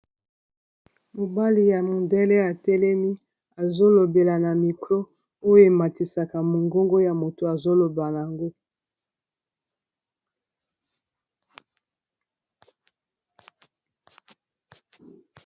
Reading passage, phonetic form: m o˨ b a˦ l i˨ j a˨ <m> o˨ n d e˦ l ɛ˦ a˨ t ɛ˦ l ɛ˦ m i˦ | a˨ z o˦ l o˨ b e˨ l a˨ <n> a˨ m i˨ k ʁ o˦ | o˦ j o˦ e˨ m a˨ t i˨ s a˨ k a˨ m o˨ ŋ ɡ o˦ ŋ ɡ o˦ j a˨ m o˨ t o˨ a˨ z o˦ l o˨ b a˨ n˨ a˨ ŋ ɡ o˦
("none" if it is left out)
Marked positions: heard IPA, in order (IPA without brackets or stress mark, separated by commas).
m, n